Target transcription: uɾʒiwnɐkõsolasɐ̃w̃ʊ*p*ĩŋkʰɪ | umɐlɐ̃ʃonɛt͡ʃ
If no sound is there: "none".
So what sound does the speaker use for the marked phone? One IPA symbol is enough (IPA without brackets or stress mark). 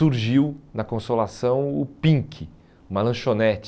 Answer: p